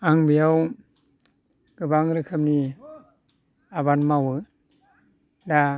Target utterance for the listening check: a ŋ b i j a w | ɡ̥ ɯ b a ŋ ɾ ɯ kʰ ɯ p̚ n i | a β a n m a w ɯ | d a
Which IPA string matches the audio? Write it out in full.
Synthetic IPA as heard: a ŋ b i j a w | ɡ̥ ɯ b a ŋ ɾ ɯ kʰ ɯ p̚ n i | a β a n m a w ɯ | d a